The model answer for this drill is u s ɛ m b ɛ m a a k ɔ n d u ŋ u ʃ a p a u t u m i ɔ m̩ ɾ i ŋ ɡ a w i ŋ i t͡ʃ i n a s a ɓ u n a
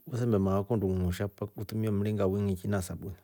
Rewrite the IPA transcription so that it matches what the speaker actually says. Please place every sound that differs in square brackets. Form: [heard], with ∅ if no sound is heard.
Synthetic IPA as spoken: u s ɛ m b ɛ m a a k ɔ n d u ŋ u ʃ a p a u t u m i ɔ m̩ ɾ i ŋ ɡ a w i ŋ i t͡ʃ i n a s a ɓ u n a